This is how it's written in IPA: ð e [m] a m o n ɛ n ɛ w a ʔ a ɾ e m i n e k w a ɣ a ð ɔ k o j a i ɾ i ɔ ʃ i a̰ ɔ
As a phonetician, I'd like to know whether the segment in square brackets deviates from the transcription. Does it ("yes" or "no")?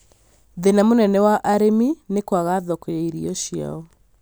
yes